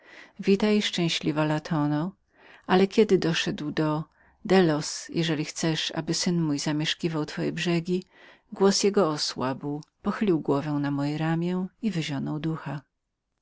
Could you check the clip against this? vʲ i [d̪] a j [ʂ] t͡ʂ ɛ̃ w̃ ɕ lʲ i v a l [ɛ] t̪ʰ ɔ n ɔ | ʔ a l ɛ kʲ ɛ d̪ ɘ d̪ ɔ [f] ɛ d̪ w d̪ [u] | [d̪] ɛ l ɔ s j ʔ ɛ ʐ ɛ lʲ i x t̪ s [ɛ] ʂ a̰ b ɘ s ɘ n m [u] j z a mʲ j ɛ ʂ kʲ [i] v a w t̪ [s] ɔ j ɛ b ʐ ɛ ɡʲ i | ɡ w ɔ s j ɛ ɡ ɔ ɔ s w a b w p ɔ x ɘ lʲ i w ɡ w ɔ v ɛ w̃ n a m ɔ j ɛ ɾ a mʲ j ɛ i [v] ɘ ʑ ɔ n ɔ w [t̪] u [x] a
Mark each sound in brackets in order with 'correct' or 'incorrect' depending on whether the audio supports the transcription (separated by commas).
incorrect, correct, incorrect, incorrect, incorrect, correct, correct, correct, correct, incorrect, correct, incorrect, correct